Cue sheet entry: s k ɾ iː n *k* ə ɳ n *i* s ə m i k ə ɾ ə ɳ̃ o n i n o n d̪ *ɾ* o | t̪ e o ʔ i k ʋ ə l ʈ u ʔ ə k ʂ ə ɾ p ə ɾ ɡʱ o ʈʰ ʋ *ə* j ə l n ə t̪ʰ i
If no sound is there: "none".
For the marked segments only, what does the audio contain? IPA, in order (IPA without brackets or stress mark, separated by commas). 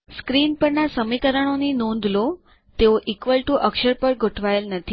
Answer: p, a, l, a